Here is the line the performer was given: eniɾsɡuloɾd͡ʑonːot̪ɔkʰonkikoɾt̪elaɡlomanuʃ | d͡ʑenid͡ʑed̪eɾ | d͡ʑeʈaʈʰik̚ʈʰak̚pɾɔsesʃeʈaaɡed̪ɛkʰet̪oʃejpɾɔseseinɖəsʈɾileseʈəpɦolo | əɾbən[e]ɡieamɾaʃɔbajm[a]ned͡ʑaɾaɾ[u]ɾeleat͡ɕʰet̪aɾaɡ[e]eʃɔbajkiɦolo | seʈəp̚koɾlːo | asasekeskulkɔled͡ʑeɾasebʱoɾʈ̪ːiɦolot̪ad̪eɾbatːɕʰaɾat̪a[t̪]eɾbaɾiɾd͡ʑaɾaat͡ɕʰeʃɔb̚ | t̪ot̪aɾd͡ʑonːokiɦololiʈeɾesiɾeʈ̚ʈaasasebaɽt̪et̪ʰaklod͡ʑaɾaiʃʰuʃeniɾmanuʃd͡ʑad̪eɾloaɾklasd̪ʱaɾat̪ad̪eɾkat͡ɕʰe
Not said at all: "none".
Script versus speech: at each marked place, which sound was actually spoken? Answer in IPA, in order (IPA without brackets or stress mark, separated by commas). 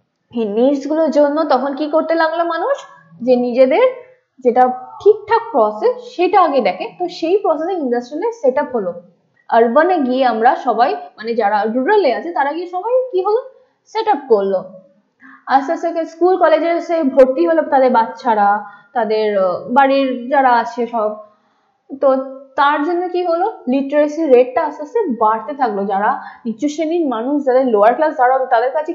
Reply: e, a, u, i, d̪